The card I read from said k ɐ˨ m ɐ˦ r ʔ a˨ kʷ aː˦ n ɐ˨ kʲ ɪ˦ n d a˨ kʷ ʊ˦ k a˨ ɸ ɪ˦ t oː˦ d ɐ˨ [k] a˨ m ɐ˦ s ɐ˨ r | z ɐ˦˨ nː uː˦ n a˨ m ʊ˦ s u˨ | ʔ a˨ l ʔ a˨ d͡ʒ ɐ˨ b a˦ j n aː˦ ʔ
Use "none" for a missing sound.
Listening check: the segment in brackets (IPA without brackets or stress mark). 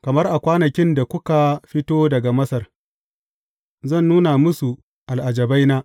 ɡ